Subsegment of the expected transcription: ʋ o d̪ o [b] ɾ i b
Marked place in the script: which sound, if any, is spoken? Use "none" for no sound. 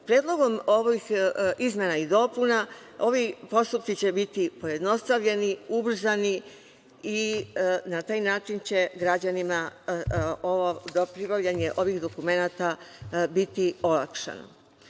p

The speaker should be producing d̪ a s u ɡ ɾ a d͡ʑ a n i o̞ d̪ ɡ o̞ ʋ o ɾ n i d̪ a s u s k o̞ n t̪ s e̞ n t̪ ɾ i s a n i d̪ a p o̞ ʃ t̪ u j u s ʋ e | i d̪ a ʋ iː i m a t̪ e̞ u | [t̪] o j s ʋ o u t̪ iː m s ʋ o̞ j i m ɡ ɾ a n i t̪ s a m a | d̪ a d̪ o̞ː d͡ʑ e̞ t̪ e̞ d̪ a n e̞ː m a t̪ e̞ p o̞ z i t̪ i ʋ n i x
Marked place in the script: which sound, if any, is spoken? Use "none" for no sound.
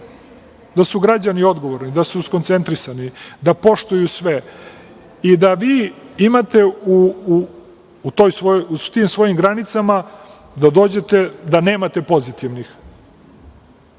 t̪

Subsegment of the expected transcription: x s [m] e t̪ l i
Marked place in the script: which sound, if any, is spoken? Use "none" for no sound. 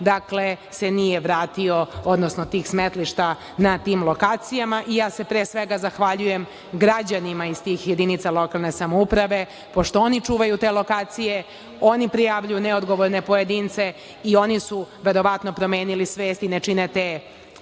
m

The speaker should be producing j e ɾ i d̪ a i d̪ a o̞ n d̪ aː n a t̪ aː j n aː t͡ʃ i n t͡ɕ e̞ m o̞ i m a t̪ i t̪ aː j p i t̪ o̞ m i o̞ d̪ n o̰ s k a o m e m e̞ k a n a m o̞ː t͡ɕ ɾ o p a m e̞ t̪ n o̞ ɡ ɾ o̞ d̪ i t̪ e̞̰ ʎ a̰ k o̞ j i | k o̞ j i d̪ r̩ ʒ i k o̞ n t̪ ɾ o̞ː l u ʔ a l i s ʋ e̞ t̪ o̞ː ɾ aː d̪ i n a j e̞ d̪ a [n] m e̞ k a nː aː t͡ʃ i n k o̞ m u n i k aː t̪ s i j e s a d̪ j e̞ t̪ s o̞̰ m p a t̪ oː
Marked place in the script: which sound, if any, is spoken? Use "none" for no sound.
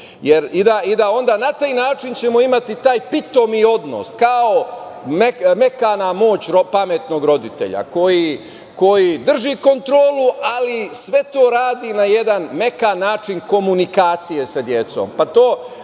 n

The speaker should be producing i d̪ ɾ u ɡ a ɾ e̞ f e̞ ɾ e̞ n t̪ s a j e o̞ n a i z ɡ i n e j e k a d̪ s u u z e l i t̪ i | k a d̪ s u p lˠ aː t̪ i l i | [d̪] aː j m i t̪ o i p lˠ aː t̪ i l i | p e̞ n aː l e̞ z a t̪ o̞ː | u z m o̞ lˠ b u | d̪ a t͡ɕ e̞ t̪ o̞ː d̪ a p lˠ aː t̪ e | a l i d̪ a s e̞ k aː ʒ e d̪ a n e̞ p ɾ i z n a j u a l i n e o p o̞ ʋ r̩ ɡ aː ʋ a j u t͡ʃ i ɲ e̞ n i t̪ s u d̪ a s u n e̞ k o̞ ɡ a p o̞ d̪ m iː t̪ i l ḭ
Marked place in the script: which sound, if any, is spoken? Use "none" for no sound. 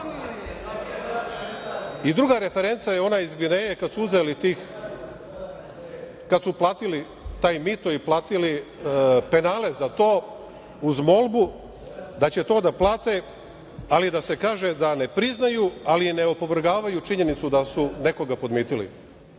t̪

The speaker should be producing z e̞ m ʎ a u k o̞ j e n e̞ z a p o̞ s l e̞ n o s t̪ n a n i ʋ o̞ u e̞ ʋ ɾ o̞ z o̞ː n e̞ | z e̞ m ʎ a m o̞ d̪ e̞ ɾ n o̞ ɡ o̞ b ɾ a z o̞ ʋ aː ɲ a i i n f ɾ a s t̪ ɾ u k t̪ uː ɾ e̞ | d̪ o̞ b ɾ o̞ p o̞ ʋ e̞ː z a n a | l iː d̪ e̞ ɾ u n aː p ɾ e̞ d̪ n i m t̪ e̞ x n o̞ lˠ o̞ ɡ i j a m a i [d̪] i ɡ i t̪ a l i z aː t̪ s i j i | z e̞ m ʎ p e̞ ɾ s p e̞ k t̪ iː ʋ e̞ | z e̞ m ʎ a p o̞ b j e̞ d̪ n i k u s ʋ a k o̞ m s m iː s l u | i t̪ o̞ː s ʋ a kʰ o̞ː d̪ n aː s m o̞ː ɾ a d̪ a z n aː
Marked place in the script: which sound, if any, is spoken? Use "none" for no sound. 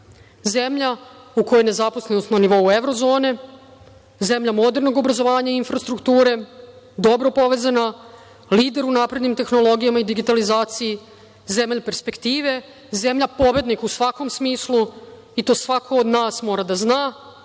d̪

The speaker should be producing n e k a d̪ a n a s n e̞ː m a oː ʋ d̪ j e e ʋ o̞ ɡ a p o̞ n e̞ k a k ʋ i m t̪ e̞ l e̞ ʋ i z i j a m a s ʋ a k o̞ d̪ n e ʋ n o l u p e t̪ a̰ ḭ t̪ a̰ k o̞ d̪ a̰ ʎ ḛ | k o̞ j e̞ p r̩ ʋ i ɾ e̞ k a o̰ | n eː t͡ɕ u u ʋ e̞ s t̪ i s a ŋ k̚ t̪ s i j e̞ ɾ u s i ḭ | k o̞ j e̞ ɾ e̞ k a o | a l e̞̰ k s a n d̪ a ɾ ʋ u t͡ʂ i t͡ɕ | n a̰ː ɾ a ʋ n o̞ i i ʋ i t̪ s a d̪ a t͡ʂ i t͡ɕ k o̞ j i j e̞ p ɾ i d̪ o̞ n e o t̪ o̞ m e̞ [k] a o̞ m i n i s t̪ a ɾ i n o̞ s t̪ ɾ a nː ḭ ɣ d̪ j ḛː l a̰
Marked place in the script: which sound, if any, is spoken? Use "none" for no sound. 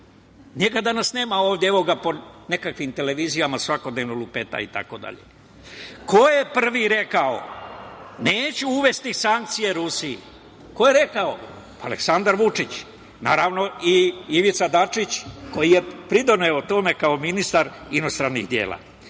k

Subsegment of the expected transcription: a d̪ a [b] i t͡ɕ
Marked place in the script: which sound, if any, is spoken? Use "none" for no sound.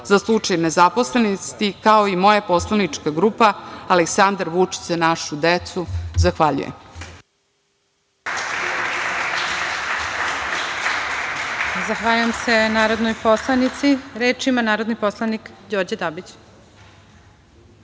b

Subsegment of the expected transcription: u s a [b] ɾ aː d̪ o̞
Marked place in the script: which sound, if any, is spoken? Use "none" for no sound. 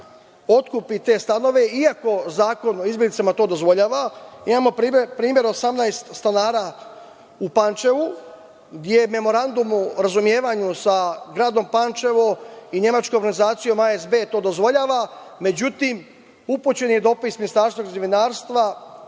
ɡ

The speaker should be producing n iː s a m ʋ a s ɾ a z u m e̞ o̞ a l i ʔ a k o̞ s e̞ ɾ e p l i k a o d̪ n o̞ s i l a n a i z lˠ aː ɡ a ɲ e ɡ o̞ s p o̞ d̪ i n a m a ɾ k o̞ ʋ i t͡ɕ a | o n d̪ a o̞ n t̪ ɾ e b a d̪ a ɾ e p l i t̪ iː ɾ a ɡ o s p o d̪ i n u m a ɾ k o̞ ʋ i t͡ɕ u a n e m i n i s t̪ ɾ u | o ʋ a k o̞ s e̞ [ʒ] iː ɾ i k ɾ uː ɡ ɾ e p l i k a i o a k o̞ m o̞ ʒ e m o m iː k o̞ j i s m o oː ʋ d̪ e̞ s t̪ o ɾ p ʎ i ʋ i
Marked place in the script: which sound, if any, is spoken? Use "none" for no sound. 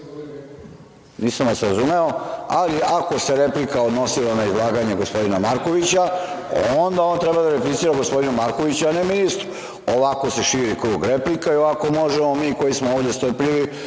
ʃ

